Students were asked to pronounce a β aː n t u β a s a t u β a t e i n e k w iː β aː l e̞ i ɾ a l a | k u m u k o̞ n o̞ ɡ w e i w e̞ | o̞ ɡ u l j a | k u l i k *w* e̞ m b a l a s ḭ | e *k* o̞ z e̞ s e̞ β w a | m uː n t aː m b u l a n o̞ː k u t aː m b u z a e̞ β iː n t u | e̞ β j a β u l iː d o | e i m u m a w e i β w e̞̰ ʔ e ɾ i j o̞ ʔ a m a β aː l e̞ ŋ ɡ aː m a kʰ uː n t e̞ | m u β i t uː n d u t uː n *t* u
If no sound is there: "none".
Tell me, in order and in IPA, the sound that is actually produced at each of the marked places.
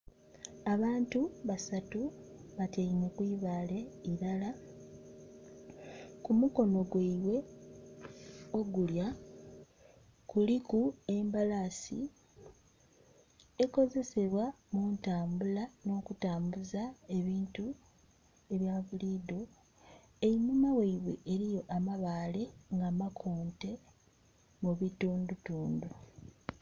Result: u, k, d

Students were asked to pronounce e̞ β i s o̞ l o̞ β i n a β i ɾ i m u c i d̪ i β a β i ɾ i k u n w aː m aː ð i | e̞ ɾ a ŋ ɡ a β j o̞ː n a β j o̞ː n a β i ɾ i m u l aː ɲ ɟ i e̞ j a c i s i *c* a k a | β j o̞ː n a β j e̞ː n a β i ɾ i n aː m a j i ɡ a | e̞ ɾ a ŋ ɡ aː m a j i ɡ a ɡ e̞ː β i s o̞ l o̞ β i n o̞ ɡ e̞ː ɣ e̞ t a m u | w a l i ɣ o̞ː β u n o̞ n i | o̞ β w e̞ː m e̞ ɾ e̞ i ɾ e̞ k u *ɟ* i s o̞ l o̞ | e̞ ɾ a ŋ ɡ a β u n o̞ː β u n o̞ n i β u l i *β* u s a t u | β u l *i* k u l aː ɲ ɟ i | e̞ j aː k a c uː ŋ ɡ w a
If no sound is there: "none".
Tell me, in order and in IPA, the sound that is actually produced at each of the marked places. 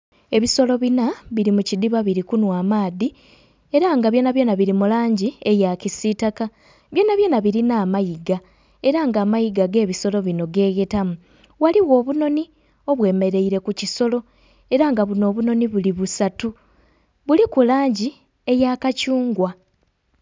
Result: t, c, β, i

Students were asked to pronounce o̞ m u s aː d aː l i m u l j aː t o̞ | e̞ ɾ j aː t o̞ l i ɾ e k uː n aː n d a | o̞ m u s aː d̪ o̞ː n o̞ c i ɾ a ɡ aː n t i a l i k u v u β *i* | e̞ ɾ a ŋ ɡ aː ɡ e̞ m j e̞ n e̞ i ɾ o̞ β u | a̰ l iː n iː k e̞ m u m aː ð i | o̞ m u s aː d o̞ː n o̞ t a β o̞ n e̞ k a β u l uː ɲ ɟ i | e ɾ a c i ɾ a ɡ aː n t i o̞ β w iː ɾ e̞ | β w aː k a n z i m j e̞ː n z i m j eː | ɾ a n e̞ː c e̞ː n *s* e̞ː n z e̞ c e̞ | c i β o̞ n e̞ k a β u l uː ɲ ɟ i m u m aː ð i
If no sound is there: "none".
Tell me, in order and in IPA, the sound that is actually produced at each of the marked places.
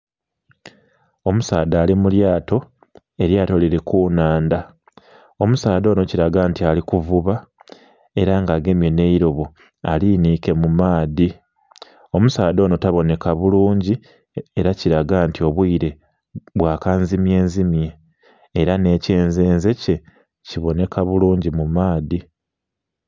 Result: a, z

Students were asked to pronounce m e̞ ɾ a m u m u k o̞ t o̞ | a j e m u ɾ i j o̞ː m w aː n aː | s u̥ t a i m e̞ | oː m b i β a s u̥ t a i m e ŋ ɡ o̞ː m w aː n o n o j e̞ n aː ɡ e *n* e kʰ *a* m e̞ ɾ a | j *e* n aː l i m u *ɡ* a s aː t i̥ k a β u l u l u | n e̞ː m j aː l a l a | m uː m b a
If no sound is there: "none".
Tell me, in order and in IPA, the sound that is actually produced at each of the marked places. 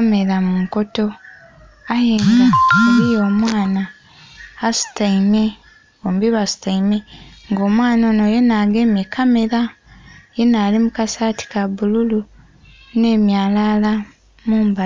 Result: m, a, e, k

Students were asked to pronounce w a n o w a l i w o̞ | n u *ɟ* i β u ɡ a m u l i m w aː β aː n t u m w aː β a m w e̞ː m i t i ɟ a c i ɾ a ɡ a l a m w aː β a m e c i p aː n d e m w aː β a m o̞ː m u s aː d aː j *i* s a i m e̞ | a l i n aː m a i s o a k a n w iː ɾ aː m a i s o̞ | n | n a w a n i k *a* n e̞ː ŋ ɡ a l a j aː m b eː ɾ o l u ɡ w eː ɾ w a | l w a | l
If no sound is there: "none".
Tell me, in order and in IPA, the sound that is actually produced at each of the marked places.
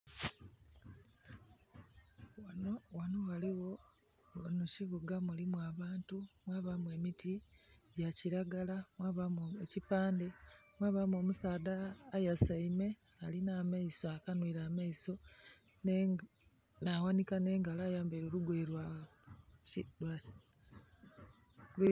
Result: c, a, a

